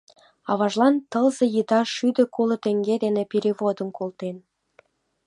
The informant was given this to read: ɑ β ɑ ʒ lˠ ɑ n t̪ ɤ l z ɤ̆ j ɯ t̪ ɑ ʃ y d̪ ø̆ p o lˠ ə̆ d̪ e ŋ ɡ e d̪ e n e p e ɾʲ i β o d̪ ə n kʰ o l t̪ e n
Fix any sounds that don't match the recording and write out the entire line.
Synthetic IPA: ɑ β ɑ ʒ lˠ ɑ n t̪ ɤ l z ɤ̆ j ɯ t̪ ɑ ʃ y d̪ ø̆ k o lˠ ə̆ t̪ e ŋ ɡ e d̪ e n e p e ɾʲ i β o d̪ ə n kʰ o l t̪ e n